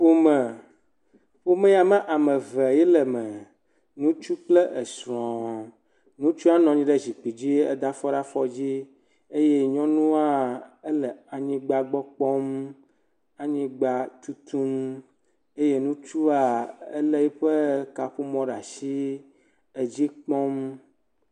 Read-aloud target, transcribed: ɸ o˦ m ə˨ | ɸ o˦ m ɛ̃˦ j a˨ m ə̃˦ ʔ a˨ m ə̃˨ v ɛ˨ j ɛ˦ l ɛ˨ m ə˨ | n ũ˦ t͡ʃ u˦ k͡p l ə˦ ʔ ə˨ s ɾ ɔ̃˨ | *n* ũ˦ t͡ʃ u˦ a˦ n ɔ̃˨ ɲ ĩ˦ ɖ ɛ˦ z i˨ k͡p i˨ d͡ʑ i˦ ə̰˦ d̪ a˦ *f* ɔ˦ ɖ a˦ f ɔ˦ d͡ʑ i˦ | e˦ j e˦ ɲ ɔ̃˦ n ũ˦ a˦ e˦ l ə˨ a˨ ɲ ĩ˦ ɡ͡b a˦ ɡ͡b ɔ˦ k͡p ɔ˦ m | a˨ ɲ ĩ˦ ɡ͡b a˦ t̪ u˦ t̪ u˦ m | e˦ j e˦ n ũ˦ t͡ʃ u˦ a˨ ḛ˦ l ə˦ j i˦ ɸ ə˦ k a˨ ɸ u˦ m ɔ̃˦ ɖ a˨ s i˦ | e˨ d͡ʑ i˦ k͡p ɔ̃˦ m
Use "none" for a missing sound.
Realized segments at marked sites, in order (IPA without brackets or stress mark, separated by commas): n, f